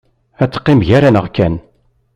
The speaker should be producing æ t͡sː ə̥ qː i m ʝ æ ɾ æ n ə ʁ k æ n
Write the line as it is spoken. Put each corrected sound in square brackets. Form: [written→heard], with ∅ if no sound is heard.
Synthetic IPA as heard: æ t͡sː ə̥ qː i m ʝ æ ɾ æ n ə ʁ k æ n